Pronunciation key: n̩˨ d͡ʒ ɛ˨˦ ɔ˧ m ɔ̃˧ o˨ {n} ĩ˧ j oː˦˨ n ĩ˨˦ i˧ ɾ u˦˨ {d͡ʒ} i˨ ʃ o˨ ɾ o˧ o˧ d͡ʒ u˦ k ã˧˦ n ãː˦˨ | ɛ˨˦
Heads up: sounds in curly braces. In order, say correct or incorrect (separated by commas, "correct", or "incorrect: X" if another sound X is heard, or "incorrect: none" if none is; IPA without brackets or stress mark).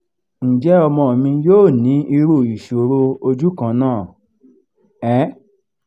incorrect: m, incorrect: none